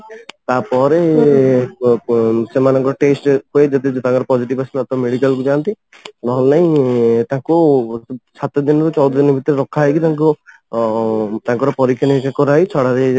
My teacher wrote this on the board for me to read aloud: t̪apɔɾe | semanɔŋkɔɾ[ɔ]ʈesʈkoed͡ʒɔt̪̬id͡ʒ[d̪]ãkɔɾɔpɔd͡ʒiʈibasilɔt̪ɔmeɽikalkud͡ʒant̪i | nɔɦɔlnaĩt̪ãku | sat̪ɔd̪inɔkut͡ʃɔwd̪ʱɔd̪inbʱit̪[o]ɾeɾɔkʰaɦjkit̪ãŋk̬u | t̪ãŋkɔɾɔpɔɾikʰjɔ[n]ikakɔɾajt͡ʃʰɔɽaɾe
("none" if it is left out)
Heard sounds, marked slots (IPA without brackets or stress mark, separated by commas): ɔ, t̪, ɔ, n